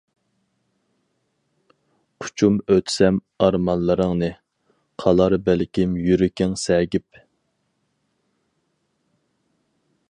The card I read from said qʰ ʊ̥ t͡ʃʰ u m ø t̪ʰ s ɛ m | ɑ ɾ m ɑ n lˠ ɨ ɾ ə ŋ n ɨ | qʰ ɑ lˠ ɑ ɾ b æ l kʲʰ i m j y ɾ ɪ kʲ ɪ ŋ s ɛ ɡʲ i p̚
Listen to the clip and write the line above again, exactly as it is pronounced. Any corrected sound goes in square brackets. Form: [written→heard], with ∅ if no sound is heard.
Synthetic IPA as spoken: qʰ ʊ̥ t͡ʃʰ u m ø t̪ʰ s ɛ m | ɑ ɾ m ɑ n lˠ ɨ ɾ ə ŋ n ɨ | qʰ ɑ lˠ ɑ ɾ b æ l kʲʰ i m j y ɾ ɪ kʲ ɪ ŋ s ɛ ɡʲ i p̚